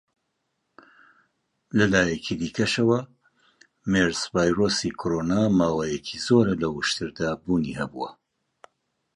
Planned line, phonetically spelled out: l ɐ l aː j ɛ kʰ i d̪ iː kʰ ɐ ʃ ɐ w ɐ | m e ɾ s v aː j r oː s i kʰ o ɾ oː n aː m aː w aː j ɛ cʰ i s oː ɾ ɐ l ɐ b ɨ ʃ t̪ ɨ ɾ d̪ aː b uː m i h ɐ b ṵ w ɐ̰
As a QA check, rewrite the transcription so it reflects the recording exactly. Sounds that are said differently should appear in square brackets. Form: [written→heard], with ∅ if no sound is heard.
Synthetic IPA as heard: l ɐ l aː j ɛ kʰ i d̪ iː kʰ ɐ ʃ ɐ w ɐ | m e ɾ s v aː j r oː s i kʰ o ɾ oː n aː m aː w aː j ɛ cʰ i [s→z] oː ɾ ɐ l ɐ [b→w] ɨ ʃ t̪ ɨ ɾ d̪ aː b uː [m→n] i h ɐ b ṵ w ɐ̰